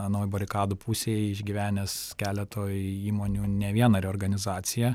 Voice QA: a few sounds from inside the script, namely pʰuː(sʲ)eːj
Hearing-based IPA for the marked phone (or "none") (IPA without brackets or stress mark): sʲ